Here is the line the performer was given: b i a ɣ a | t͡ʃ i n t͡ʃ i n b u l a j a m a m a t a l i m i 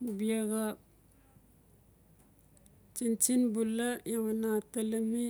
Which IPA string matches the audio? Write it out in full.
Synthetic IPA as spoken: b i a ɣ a | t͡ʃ i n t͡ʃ i n b u l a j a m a n a t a l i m i